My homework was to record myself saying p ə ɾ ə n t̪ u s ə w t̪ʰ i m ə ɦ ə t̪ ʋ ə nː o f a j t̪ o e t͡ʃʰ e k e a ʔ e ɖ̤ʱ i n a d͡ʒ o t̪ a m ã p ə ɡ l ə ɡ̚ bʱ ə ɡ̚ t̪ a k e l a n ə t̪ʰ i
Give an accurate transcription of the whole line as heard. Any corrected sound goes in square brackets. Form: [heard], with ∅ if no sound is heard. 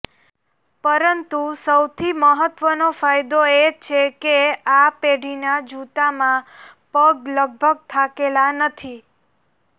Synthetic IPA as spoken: p ə ɾ ə n t̪ u s ə w t̪ʰ i m ə ɦ ə t̪ ʋ ə [n] o f a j [d̪] o e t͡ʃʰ e k e a [p] e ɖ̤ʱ i n a d͡ʒ [u] t̪ a m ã p ə ɡ l ə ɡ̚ bʱ ə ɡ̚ [t̪ʰ] a k e l a n ə t̪ʰ i